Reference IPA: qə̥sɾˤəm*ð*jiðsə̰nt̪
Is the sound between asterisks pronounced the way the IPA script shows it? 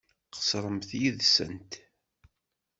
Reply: no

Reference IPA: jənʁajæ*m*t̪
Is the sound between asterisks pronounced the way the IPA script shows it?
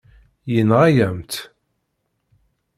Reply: yes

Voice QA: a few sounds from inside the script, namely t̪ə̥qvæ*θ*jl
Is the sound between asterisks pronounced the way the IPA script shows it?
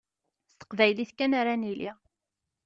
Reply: no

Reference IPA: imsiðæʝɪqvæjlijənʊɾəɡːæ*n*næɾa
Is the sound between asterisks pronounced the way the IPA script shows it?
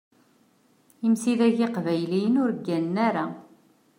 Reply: yes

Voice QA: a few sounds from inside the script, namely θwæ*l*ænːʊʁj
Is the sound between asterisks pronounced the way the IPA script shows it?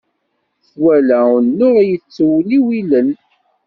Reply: yes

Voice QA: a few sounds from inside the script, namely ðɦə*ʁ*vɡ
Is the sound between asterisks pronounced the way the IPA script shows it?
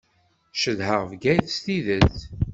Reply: yes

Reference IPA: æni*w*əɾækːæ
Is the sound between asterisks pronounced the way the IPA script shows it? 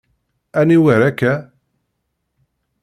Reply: yes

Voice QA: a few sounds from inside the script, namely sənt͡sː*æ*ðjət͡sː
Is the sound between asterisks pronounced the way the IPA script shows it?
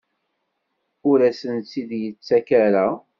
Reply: no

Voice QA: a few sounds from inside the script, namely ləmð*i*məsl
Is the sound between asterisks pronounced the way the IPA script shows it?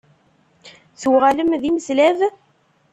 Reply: yes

